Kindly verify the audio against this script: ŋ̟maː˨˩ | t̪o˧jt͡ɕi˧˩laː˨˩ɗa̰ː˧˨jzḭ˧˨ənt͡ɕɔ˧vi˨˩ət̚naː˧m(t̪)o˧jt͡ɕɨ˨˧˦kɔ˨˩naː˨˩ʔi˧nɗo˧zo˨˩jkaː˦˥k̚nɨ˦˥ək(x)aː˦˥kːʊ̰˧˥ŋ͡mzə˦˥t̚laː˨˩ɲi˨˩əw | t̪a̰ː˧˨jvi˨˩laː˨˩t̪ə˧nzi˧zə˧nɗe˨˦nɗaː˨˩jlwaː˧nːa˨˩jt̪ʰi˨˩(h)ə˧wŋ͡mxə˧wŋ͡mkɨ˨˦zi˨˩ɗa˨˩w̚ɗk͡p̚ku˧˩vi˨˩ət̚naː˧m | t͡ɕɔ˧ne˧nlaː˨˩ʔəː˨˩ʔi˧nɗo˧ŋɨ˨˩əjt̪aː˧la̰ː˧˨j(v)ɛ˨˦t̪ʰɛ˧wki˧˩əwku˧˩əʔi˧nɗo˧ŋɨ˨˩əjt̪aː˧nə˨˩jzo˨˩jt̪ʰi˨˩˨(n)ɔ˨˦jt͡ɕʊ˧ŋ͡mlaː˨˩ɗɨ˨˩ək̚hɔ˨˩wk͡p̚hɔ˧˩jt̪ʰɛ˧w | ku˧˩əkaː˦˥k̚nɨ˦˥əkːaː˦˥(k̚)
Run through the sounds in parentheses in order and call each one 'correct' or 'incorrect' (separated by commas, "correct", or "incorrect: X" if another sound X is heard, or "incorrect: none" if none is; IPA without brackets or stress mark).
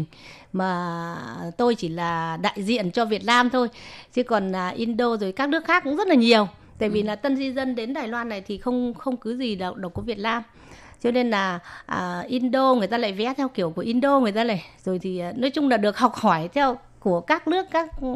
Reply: incorrect: t̪ʰ, correct, incorrect: x, correct, correct, correct